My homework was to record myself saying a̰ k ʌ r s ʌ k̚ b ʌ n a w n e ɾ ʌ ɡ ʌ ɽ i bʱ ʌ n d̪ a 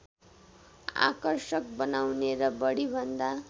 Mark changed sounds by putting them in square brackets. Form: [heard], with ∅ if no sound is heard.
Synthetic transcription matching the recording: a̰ k ʌ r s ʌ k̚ b ʌ n a w n e ɾ ʌ [b] ʌ ɽ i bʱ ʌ n d̪ a